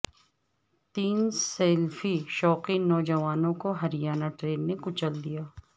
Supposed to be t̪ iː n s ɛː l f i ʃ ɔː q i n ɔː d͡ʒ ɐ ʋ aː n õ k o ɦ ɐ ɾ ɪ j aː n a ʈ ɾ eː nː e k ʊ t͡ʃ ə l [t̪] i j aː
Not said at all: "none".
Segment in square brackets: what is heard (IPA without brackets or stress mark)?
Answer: d̪